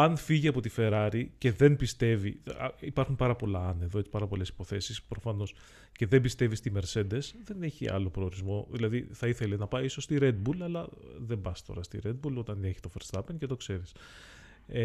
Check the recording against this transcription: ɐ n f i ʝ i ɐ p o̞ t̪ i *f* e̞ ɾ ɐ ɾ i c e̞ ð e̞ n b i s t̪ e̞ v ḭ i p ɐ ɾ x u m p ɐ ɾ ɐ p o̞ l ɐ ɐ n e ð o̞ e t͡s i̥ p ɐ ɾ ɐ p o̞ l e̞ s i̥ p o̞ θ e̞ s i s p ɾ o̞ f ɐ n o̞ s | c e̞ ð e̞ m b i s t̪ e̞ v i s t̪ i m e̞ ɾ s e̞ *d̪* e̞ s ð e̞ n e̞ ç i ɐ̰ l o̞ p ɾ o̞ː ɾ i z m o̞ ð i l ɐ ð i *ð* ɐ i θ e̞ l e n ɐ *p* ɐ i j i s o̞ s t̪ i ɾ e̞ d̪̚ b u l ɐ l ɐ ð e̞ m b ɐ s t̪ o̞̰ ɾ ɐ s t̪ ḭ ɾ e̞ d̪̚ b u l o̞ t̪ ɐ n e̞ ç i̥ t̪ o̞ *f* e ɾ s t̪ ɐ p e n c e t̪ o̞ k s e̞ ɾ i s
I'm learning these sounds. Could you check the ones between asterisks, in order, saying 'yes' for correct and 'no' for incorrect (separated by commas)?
yes, yes, no, yes, yes